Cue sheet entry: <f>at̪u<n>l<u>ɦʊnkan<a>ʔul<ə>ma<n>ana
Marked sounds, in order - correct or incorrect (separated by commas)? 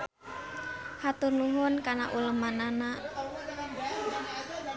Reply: incorrect, correct, correct, correct, correct, correct